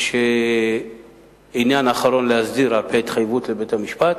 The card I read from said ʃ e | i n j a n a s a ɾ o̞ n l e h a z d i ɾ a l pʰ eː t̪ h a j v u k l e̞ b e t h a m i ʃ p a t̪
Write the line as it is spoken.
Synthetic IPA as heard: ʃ e | i n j a n a χ a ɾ o̞ n l e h a z d i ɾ a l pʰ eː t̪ χ a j v u t l e̞ b e t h a m i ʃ p a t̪